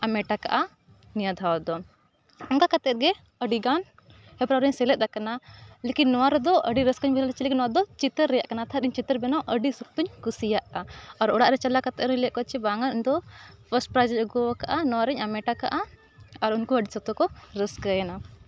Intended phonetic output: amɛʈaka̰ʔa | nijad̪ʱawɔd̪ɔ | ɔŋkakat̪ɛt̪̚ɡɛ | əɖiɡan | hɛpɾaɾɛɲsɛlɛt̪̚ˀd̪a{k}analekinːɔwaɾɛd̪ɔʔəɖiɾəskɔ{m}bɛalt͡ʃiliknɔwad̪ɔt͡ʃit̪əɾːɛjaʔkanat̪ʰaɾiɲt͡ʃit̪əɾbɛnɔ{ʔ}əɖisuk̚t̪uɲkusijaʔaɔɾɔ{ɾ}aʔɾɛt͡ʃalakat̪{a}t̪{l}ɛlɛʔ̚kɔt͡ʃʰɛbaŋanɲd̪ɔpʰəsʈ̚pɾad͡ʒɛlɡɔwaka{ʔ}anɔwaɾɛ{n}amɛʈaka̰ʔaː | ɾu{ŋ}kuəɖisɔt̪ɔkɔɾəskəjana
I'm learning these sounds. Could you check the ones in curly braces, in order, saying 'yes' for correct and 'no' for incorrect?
yes, no, yes, no, no, no, yes, no, no

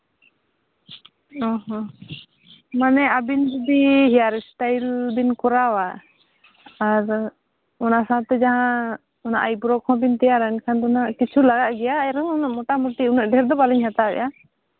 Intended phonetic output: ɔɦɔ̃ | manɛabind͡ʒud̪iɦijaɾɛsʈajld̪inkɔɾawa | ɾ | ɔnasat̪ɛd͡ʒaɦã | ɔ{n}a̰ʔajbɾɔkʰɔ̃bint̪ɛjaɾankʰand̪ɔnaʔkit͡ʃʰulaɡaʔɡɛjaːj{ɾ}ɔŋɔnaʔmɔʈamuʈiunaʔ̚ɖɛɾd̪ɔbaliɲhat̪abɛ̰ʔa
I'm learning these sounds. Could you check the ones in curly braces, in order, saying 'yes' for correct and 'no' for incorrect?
yes, yes

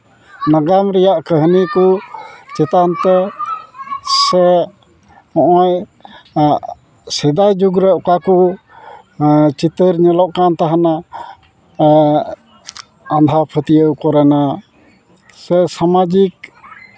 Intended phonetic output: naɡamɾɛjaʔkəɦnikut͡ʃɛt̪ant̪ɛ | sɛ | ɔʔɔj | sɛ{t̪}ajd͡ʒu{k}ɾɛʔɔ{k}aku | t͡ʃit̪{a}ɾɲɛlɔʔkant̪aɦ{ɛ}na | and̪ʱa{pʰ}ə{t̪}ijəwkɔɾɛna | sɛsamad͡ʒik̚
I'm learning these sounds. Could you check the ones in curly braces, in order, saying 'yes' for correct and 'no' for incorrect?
no, no, yes, no, no, yes, yes

